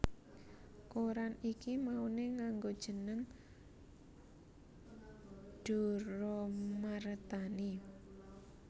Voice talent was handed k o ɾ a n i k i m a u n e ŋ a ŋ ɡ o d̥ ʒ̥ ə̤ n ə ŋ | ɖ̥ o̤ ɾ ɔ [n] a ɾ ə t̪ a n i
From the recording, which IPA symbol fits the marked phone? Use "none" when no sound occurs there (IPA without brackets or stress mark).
m